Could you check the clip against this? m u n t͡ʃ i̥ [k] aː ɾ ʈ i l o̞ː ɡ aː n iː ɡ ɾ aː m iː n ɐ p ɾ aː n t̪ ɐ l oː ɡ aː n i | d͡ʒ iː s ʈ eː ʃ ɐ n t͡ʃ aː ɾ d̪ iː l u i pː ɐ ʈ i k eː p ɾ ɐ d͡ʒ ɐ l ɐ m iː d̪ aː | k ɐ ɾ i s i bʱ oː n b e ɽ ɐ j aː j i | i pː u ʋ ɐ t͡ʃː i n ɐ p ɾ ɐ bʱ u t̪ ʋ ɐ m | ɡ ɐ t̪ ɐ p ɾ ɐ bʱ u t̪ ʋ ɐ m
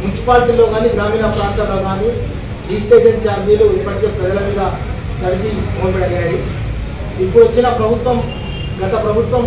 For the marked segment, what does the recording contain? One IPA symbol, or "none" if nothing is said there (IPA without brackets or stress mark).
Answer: p